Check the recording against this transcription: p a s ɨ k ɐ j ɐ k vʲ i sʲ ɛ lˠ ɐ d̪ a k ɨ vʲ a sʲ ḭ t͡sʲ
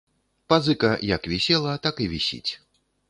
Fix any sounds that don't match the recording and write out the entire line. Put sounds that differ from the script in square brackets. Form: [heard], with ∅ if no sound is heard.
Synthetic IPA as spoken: p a [z] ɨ k ɐ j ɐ k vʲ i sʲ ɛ lˠ ɐ [t̪] a k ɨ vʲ [i] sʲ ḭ t͡sʲ